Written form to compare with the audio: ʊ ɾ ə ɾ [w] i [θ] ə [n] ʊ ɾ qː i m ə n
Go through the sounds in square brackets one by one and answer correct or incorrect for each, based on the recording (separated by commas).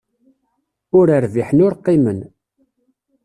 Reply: incorrect, incorrect, correct